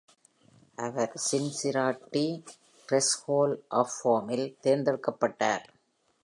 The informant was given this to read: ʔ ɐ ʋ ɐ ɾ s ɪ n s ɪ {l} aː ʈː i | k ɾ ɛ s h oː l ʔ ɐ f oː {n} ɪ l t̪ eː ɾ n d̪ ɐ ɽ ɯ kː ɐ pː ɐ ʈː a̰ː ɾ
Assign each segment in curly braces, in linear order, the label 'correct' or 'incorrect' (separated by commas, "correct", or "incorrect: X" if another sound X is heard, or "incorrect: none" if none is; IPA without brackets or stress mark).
incorrect: ɾ, incorrect: m